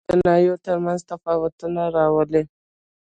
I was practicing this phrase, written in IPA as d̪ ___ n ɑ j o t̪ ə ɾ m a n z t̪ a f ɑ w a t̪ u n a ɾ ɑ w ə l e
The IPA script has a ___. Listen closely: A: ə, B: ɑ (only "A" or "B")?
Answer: A